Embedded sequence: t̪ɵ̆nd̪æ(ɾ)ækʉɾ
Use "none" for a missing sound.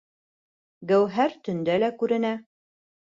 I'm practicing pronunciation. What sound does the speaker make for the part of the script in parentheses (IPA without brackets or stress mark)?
l